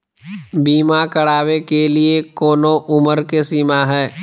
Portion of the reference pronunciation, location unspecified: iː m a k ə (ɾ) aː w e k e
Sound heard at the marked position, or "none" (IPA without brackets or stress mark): ɽ